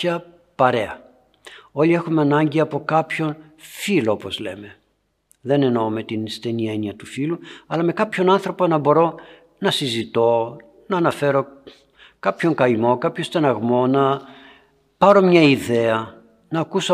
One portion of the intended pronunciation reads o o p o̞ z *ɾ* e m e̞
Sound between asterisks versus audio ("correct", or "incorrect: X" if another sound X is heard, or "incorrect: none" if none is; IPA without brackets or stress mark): incorrect: l